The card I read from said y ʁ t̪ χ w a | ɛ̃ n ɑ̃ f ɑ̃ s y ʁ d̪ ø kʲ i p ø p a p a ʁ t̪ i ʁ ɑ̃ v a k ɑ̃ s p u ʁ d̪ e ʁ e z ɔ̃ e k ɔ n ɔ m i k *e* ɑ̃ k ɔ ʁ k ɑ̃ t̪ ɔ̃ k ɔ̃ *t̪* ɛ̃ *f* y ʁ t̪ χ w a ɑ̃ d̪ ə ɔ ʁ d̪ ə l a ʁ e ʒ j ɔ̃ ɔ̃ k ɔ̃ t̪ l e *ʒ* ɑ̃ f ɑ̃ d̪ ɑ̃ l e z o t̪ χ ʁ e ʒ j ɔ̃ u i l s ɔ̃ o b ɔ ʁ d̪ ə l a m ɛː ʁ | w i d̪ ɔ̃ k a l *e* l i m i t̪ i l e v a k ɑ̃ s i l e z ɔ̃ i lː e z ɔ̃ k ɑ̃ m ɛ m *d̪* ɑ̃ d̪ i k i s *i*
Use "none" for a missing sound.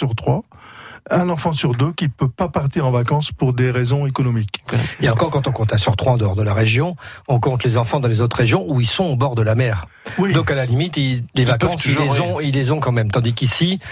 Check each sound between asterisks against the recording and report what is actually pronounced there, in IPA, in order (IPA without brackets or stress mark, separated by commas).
e, t̪, s, z, a, t̪, i